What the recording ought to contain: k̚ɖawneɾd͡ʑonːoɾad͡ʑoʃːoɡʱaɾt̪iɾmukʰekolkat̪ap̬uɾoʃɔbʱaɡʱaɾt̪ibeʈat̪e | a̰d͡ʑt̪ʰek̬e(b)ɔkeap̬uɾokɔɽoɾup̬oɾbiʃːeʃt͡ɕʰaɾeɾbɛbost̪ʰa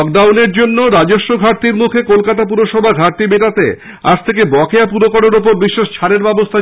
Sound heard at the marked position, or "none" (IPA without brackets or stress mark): b